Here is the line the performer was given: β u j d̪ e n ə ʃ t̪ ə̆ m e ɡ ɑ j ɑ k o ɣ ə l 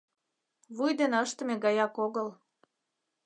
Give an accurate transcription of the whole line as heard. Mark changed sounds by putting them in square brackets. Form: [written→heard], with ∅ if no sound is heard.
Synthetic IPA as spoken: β u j d̪ e n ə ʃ t̪ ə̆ m e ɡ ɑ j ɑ k o ɣ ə l